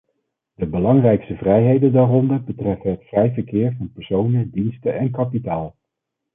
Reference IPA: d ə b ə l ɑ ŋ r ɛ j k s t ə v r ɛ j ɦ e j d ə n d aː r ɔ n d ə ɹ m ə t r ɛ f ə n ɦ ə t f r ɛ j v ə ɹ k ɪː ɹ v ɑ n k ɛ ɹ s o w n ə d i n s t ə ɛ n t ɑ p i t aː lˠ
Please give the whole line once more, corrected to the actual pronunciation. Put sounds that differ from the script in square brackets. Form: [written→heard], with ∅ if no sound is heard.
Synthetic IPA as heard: d ə b ə l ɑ ŋ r ɛ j k s t ə v r ɛ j ɦ e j d ə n d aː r ɔ n d ə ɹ [m→b] ə t r ɛ f ə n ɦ ə t f r ɛ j v ə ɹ k ɪː ɹ v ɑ n [k→p] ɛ ɹ s o w n ə d i n s t ə ɛ n [t→k] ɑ p i t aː lˠ